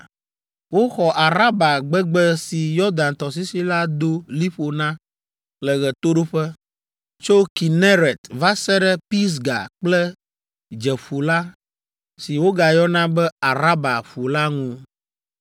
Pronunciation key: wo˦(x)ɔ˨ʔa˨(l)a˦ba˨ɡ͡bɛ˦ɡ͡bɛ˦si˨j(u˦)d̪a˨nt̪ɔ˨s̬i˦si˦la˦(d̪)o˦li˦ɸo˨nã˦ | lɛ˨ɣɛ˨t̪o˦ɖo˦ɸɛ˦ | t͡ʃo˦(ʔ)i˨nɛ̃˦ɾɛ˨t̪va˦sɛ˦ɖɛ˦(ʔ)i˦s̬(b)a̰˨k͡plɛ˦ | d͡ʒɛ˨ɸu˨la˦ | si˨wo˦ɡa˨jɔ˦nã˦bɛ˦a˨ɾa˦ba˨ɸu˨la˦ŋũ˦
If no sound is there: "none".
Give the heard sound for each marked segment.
x, ɾ, ɔ˦, d̪, k, p, ɡ

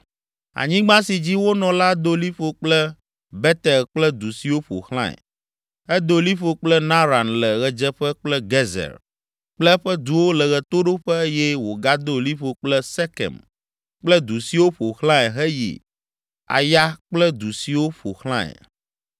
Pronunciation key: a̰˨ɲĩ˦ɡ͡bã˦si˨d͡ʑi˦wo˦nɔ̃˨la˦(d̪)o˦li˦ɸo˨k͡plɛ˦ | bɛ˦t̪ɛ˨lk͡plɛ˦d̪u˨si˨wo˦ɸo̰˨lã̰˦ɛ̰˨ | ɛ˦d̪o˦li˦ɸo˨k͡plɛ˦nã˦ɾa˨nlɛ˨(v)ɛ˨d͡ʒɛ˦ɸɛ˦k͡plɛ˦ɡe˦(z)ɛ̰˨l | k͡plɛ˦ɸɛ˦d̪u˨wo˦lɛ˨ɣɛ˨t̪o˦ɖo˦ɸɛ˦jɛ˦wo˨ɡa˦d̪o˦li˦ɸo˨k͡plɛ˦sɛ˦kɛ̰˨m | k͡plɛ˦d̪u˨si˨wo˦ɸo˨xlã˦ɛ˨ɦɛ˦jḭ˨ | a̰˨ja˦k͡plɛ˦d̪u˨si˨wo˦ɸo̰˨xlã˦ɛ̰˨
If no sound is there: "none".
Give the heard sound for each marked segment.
d̪, ɣ, z

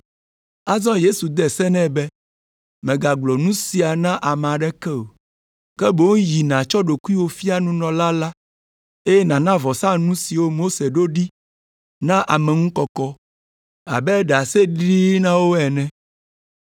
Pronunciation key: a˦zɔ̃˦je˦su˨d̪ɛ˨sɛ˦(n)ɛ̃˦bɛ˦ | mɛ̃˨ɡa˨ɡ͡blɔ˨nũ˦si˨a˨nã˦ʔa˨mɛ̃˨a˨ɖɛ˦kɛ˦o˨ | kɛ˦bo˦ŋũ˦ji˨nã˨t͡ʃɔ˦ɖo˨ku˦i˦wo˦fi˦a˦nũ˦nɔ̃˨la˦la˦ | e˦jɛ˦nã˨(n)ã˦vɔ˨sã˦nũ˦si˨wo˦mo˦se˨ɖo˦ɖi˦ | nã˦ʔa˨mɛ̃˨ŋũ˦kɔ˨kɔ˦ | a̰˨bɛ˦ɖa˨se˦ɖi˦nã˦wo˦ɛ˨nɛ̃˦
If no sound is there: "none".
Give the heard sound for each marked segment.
n, n

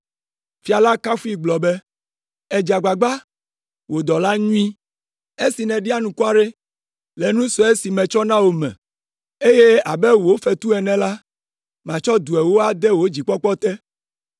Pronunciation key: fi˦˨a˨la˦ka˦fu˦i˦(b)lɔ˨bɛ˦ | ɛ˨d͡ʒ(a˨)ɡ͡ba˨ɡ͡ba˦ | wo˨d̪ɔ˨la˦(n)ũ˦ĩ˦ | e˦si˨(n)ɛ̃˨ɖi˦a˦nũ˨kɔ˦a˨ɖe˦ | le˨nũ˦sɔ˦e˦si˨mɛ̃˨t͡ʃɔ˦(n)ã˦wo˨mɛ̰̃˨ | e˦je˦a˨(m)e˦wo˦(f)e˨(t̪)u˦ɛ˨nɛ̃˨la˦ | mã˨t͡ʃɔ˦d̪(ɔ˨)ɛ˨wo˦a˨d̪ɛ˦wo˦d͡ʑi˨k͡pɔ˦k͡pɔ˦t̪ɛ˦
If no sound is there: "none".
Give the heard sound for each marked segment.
ɡ͡b, a˨, ɲ, n, n, b, f, t̪, u˨

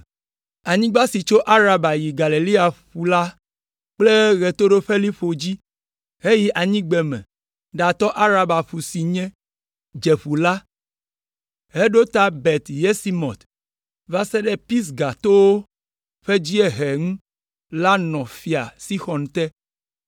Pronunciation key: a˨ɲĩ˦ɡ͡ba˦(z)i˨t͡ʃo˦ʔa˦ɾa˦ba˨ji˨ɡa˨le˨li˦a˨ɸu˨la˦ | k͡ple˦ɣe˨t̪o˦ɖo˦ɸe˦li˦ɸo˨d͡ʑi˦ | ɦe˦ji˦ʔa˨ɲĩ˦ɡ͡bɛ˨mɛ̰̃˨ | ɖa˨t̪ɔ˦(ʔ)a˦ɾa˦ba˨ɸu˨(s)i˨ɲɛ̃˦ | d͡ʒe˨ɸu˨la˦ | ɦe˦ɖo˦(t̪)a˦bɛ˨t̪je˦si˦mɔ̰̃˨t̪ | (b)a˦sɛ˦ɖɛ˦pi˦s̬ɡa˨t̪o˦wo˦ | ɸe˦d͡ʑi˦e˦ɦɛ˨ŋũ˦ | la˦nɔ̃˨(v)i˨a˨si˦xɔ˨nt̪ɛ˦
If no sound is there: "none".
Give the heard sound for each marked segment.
s, ʔ, s, t̪, v, f

